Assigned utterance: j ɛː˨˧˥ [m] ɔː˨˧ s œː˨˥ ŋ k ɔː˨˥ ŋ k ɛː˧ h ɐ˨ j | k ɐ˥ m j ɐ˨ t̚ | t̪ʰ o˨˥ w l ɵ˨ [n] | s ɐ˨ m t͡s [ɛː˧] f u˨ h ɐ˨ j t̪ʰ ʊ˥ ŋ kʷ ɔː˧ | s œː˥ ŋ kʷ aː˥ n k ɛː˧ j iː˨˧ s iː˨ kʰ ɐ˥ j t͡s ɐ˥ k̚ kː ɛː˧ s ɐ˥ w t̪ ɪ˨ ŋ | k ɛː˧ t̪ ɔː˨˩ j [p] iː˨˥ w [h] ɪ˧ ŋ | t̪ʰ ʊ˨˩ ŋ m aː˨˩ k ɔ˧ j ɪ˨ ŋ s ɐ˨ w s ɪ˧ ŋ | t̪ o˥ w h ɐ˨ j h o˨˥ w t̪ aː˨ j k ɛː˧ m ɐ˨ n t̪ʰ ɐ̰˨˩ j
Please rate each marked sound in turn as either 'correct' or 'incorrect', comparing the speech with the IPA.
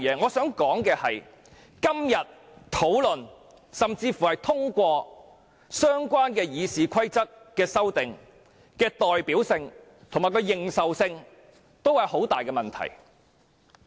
incorrect: ŋ, correct, incorrect: iː˧, correct, incorrect: s

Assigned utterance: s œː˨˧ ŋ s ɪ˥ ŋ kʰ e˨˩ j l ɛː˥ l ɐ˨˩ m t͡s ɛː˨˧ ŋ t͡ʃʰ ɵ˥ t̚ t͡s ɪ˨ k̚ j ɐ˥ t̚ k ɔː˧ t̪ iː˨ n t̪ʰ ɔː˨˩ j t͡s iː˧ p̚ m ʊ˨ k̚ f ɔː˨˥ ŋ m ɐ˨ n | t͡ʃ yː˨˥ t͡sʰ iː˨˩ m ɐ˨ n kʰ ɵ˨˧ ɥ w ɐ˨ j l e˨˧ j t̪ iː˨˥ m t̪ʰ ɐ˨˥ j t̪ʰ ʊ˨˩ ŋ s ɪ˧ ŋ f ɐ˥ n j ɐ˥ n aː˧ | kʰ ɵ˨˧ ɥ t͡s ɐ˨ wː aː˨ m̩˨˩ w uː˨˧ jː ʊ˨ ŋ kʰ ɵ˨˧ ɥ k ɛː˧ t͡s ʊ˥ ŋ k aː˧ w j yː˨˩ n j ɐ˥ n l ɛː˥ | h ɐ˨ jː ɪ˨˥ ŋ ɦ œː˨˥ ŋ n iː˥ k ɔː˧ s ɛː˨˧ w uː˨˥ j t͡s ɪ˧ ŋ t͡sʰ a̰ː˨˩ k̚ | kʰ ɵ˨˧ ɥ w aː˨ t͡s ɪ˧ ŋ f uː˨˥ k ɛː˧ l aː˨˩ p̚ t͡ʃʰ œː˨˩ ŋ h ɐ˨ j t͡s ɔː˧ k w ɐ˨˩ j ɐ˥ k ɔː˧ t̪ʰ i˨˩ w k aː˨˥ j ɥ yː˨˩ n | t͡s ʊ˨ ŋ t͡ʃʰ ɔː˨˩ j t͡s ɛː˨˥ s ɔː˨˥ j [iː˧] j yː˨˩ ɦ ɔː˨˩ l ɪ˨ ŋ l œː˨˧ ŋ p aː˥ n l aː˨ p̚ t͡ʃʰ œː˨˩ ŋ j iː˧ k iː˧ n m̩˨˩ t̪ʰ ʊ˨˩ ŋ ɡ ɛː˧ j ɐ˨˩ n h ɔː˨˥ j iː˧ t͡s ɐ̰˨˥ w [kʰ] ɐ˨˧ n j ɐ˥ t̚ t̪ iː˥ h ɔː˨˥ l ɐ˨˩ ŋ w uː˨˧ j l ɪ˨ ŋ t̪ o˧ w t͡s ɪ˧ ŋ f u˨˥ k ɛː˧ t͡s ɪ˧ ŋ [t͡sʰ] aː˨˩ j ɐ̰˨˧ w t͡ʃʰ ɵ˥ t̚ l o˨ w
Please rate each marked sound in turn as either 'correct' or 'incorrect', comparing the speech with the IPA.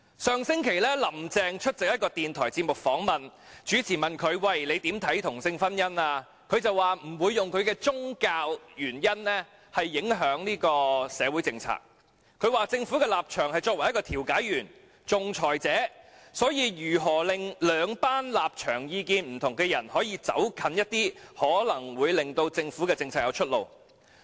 correct, correct, correct

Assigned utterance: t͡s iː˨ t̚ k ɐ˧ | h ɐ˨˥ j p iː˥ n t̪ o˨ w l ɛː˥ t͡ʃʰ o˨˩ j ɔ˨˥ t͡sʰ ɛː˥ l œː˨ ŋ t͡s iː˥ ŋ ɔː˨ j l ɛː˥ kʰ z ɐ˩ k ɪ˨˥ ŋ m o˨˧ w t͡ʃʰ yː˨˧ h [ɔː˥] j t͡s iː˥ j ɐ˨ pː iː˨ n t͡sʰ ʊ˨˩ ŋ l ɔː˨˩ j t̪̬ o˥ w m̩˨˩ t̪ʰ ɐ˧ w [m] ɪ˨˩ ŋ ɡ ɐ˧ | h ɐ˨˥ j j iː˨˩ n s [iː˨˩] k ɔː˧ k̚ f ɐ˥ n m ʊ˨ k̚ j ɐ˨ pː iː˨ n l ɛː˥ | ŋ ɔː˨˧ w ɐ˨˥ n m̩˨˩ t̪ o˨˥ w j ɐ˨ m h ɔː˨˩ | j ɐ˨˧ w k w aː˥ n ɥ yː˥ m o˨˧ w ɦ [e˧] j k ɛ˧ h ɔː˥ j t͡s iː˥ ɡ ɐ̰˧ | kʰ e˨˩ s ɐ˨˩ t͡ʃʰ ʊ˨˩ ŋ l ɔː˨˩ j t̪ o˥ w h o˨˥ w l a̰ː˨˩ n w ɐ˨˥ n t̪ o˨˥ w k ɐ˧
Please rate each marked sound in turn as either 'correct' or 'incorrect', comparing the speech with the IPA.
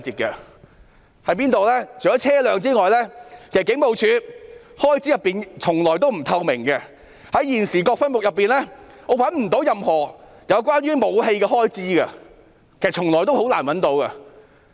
correct, correct, correct, correct

